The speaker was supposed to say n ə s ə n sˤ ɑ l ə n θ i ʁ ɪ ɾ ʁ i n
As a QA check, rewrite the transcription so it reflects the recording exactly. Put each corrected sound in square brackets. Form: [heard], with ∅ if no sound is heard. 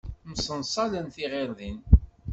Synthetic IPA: [m] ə s ə n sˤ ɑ l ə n θ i ʁ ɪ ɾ [ð] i n